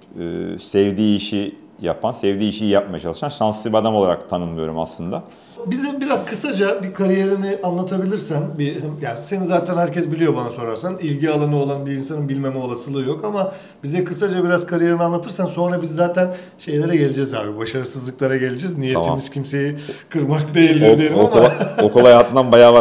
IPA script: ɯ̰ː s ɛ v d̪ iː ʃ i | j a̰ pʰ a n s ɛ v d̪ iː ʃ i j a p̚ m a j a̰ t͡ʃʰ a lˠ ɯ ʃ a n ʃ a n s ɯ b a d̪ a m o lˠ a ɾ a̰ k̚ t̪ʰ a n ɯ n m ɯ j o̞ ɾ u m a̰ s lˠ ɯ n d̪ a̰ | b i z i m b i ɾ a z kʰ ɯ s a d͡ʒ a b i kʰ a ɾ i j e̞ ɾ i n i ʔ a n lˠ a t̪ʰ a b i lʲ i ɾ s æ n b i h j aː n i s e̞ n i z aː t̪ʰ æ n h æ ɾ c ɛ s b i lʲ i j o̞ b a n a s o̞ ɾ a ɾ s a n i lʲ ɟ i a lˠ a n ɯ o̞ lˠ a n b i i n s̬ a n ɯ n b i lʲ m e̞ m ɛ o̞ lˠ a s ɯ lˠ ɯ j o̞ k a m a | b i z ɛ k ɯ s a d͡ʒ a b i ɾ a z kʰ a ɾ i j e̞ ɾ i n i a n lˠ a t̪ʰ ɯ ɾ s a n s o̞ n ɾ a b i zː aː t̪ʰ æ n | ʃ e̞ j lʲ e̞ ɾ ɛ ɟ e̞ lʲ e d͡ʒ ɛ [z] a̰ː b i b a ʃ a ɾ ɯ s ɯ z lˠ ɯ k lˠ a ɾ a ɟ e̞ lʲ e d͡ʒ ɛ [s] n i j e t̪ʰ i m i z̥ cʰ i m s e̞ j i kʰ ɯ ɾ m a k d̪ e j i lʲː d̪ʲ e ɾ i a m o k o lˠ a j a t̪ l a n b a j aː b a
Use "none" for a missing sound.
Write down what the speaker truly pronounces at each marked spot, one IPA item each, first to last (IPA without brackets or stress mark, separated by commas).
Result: z, z